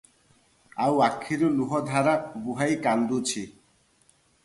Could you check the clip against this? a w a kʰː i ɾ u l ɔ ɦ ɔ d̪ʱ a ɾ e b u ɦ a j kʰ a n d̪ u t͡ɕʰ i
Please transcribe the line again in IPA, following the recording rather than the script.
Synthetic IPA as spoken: a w a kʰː i ɾ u l u ɦ ɔ d̪ʱ a ɾ a b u ɦ a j k a n d̪ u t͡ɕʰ i